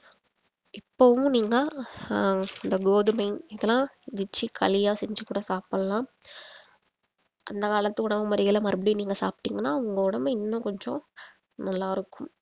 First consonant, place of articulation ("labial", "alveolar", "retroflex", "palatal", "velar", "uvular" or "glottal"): labial